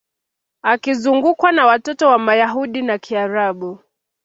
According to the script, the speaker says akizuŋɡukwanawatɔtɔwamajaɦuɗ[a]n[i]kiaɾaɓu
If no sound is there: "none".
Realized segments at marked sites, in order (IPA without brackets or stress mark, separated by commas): i, a